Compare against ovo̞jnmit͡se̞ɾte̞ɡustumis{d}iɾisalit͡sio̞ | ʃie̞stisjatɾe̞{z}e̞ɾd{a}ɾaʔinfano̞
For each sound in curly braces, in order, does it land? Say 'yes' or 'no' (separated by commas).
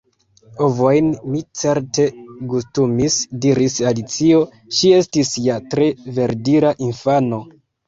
yes, no, no